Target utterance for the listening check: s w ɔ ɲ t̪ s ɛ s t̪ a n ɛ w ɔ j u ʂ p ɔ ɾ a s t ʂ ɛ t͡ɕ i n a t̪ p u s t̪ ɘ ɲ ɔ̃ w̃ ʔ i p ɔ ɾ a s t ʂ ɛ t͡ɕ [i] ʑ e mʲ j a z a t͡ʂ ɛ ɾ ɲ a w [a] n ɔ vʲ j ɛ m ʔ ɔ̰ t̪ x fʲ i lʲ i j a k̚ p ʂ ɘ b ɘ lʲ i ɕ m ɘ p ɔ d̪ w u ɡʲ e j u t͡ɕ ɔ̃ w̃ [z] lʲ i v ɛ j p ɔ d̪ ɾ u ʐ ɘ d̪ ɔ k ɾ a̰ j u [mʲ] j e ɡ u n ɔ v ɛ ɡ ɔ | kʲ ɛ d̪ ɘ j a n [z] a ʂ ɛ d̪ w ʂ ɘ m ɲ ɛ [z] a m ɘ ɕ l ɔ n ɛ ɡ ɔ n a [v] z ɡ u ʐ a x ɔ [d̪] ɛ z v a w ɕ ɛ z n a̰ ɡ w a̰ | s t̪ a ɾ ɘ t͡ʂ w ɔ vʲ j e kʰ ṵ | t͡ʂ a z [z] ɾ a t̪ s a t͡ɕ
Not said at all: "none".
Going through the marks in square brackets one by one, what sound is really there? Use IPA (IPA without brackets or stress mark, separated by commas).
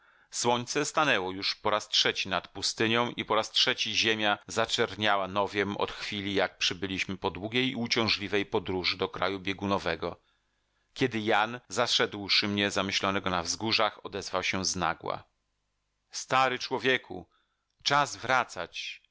i, a, ʐ, bʲ, z, z, v, d̪, v